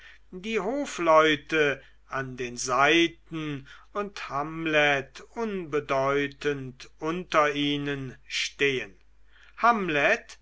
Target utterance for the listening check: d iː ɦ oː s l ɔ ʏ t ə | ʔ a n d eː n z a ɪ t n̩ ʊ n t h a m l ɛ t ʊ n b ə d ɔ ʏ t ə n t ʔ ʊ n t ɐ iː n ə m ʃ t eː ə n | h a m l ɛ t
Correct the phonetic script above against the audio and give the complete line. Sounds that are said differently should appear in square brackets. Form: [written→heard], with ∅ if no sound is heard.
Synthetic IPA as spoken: d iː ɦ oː [s→f] l ɔ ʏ t ə | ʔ a n d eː n z a ɪ t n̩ ʊ n t h a m l ɛ t ʊ n b ə d ɔ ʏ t ə n t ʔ ʊ n t ɐ iː n ə [m→n] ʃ t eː ə n | h a m l ɛ t